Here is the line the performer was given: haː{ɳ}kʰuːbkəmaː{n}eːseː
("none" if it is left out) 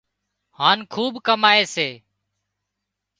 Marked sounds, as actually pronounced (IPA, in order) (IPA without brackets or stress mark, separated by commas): n, none